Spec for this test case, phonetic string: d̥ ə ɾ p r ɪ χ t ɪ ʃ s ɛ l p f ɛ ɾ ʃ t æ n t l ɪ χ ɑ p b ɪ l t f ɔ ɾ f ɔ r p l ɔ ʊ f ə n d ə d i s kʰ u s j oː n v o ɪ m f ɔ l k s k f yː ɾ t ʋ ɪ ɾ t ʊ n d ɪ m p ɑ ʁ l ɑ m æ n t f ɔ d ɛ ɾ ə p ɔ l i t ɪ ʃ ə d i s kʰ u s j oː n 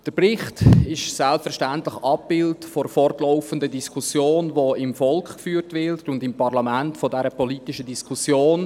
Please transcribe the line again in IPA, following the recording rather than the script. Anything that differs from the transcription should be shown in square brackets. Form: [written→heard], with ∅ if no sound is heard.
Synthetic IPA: d̥ ə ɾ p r ɪ χ t ɪ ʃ s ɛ l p f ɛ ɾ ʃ t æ n t l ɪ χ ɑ p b ɪ l t f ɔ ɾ f ɔ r [p→t] l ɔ ʊ f ə n d ə d i s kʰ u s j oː n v o ɪ m f ɔ l k [s→χ] k f yː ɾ t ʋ ɪ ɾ t ʊ n d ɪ m p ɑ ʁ l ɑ m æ n t f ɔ d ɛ ɾ ə p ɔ l i t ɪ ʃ ə d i s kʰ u s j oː n